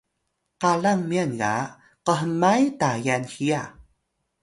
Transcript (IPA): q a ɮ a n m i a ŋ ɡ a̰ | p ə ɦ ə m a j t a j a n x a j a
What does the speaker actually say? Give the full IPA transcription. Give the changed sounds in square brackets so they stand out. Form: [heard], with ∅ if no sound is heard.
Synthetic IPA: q a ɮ a [ŋ] m i a [n] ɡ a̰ | [q] ə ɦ ə m a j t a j a n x [i] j a